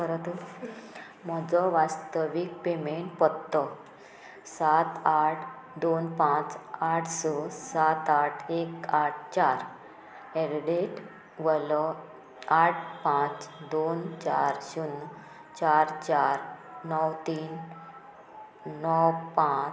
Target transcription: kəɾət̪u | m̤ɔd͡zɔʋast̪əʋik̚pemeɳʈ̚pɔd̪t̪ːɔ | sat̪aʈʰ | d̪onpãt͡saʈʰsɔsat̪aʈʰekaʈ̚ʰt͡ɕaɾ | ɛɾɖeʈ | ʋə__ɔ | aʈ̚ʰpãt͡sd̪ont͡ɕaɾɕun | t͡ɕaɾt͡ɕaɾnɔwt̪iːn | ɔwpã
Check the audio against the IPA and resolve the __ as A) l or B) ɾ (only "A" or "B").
A